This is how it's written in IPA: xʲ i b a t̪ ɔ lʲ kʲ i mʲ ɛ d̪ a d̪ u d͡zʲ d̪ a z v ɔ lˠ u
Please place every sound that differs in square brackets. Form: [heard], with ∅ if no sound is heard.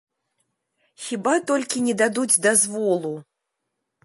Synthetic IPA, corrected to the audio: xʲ i b a t̪ ɔ lʲ kʲ i [nʲ] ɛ d̪ a d̪ u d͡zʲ d̪ a z v ɔ lˠ u